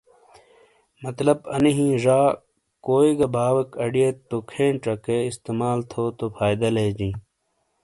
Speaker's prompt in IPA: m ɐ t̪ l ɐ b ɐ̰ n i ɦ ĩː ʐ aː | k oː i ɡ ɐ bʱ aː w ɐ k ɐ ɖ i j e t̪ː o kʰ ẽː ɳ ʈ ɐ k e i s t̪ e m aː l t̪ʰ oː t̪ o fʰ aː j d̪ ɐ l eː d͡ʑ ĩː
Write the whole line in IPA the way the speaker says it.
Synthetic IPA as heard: m ɐ t̪ l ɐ b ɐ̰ n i ɦ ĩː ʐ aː | k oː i ɡ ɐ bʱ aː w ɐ k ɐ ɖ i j e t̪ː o kʰ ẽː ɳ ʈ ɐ k e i s t̪ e m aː l t̪ʰ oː t̪ o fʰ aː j d̪ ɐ l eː d͡ʑ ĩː